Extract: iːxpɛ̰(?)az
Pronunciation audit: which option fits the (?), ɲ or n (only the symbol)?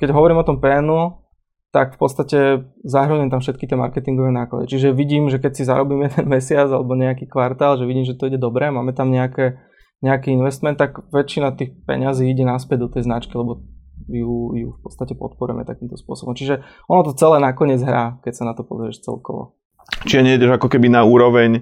ɲ